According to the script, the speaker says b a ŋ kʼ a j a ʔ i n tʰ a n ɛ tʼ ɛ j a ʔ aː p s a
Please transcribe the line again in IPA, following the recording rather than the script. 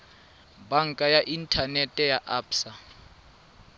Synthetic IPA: b a ŋ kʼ a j a ʔ i n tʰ a n ɛ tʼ ɛ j a ʔ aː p s a